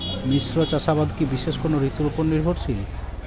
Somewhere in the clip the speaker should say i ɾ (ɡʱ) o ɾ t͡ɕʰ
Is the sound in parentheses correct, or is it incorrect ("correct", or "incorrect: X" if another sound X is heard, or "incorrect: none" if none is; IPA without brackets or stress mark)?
incorrect: bʱ